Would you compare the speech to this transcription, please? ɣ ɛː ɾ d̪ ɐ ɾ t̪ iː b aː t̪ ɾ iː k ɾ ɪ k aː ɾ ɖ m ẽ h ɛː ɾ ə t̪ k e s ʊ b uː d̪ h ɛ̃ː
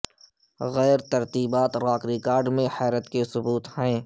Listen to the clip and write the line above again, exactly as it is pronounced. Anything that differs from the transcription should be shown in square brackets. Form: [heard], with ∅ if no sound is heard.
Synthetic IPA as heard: ɣ ɛː ɾ [t̪] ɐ ɾ t̪ iː b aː t̪ ɾ [aː] k ɾ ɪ k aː ɾ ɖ m ẽ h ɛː ɾ ə t̪ k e s ʊ b uː [t̪] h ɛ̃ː